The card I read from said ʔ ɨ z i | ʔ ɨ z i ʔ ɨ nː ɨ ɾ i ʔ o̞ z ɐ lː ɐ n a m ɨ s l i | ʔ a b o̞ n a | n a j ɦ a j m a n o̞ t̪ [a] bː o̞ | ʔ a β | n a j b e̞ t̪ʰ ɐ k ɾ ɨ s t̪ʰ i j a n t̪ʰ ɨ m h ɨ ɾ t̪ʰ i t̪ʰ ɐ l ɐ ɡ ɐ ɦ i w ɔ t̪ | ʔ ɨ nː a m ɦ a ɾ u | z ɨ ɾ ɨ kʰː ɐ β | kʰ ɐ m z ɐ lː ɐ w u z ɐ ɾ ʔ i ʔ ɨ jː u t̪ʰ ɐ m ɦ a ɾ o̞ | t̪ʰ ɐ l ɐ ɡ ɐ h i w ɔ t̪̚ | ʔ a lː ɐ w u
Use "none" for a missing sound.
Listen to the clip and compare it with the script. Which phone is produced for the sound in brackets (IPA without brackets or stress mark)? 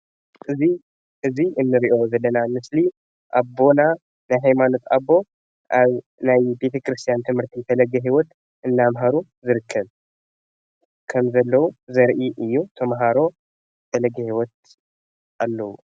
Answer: a